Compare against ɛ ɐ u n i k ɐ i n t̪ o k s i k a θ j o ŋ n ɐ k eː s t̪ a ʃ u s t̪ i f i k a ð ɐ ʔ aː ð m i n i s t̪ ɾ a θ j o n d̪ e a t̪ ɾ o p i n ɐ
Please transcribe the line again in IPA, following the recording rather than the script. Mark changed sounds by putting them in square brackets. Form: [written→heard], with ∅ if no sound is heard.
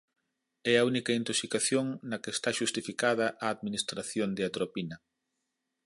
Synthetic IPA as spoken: ɛ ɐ u n i k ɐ i n t̪ o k s i k a θ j o ŋ n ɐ k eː s t̪ a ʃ u s t̪ i f i k a ð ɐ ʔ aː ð m i n i s t̪ ɾ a θ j o n d̪ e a t̪ ɾ o p i n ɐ

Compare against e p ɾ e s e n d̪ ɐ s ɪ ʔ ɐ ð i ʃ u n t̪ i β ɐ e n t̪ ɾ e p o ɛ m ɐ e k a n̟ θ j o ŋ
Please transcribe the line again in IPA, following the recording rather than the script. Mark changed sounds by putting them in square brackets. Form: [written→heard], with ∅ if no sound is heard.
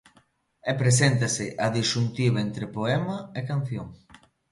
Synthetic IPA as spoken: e p ɾ e s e n [d̪→t̪] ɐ s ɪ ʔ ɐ ð i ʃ u n t̪ i β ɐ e n t̪ ɾ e p o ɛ m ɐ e k a n̟ θ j o ŋ

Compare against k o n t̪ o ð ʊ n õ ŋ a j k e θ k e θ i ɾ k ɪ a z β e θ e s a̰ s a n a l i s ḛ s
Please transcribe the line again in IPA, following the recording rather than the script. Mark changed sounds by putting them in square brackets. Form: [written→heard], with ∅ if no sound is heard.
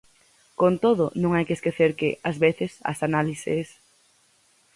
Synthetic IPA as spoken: k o n t̪ o ð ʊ n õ ŋ a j k e [θ→s] k e θ [i→e] ɾ k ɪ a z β e θ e s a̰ s a n a l i s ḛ s

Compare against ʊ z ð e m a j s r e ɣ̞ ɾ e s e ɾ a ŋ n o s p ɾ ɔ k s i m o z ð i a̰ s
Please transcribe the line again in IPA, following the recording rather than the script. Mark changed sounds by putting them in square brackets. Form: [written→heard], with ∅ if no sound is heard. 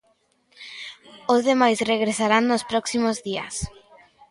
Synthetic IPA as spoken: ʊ z ð e m a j s r e ɣ̞ ɾ e s [e→a] ɾ a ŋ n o s p ɾ ɔ k s i m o z ð i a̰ s

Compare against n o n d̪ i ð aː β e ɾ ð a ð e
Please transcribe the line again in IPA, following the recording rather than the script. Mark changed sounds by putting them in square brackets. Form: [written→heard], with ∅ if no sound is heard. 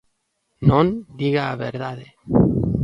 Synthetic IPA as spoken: n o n d̪ i [ð→ɣ] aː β e ɾ ð a ð e

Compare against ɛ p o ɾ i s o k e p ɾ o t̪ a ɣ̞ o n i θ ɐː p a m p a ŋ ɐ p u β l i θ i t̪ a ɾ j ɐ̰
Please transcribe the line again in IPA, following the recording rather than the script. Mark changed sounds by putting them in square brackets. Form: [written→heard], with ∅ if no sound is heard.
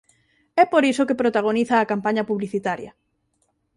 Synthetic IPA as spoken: ɛ p o ɾ i s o k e p ɾ o t̪ a ɣ̞ o n i θ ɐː [p→k] a m p a [ŋ→ɲ] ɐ p u β l i θ i t̪ a ɾ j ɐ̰

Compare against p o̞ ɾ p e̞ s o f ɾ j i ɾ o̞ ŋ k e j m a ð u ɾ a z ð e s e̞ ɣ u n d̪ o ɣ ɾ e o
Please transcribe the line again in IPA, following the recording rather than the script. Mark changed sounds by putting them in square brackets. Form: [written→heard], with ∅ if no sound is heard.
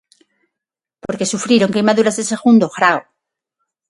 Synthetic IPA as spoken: p o̞ ɾ [p→k] e̞ s [o→u] f ɾ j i ɾ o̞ ŋ k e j m a ð u ɾ a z ð e s e̞ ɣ u n d̪ o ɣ ɾ [e→a] o

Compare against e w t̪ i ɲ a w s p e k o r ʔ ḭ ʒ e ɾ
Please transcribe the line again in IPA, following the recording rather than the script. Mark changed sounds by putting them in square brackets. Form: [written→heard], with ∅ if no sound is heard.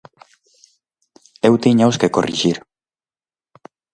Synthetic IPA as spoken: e w t̪ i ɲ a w s [p→k] e k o r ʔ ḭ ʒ [e→i] ɾ

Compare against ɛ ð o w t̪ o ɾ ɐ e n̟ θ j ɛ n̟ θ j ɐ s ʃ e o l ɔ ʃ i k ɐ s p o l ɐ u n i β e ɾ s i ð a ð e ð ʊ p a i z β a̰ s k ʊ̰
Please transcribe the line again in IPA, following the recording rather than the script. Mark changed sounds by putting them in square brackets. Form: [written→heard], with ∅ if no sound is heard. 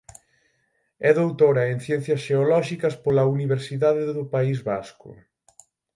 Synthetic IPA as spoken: ɛ ð o w t̪ o ɾ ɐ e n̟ θ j ɛ n̟ θ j ɐ s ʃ e o l ɔ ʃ i k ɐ s p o l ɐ u n i β e ɾ s i ð a ð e ð ʊ p a i z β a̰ s k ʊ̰

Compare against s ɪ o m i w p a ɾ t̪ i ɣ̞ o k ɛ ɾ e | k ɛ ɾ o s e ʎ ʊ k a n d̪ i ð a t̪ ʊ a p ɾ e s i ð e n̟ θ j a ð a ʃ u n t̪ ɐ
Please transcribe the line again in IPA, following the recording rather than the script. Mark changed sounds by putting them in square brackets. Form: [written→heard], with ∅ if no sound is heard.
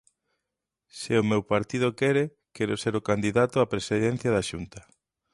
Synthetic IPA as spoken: s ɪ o m [i→e] w p a ɾ t̪ i [ɣ̞→ð̞] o k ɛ ɾ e | k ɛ ɾ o s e [ʎ→ɾ] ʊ k a n d̪ i ð a t̪ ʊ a p ɾ e s i ð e n̟ θ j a ð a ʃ u n t̪ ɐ

